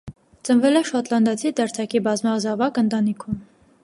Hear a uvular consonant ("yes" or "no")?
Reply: no